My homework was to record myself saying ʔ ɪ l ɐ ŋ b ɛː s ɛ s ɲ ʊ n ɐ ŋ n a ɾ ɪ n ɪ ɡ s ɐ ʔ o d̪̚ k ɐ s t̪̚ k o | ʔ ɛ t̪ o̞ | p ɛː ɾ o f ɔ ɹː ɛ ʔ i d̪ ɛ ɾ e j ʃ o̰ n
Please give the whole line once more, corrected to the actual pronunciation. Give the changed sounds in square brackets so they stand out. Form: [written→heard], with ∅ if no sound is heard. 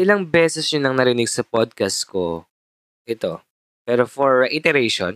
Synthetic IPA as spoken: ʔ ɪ l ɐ ŋ b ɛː s ɛ s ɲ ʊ n ɐ ŋ n [a→ɐ] ɾ ɪ n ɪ ɡ s ɐ [ʔ→p] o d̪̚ k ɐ s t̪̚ k o | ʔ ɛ t̪ o̞ | p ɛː ɾ o f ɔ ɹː ɛ ʔ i [d̪→t̪] ɛ ɾ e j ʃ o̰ n